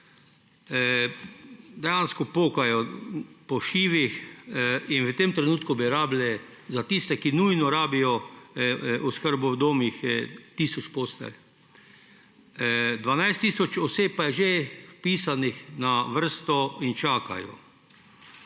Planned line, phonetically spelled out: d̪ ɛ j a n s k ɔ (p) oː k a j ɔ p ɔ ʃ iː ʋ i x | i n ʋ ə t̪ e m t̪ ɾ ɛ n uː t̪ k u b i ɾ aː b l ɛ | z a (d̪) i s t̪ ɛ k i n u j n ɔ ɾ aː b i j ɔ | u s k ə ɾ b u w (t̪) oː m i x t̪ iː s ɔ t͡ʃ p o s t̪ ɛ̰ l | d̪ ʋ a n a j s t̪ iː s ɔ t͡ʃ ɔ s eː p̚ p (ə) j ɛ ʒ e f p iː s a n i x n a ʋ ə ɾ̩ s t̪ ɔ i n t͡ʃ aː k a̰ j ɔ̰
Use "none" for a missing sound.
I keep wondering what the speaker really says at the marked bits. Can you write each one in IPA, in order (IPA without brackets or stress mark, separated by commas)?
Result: p, t̪, d̪, a